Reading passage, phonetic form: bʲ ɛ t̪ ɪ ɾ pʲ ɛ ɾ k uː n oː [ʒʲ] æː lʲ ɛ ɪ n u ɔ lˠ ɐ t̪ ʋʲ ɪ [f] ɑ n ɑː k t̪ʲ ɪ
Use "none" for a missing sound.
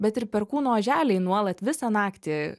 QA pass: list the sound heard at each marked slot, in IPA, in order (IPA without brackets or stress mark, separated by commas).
ʒʲ, s